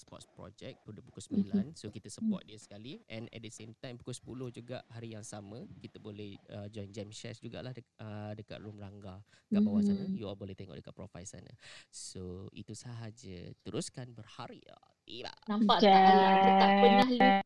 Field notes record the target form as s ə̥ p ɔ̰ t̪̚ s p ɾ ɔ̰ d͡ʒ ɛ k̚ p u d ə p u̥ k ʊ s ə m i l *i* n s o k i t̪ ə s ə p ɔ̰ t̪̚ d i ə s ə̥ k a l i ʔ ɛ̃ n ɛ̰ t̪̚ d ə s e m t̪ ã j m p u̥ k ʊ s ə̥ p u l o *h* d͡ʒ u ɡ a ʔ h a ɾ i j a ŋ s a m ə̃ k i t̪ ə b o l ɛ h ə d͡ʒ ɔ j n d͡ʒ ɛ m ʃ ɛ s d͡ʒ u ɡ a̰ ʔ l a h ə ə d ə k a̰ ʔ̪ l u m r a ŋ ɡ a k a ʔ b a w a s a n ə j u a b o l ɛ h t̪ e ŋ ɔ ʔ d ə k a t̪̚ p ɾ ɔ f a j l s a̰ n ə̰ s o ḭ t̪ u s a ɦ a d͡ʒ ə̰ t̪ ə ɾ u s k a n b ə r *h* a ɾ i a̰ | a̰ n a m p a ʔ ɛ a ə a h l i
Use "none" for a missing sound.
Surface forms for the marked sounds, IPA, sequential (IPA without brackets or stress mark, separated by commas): a, h, h